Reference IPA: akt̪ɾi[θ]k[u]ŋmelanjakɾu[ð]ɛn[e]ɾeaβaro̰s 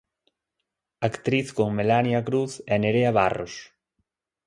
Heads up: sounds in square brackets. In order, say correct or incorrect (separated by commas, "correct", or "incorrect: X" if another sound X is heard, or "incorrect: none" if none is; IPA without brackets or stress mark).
correct, incorrect: o, incorrect: θ, correct